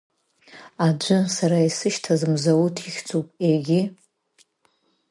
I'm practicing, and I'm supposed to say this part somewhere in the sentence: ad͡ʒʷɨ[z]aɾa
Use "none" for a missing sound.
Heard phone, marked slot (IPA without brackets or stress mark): s